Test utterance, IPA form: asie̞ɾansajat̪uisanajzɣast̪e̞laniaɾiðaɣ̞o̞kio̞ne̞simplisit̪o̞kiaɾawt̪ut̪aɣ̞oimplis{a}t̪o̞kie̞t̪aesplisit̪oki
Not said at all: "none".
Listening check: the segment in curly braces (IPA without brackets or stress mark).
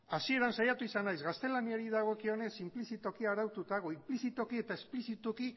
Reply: i